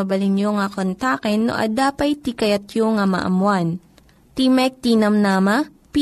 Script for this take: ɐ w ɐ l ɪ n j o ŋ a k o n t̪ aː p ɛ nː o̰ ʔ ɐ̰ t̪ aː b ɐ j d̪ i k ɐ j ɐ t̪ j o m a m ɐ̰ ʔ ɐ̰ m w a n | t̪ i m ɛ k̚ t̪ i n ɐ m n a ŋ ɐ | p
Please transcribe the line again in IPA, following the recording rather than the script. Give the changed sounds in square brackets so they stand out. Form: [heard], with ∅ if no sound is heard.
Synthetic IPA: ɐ [b] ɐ l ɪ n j o ŋ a k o n t̪ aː [k] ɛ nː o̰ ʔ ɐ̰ [d̪] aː [p] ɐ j [t̪] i k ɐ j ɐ t̪ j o [ŋ] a m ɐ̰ ʔ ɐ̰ m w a n | t̪ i m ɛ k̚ t̪ i n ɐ m n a [m] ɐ | p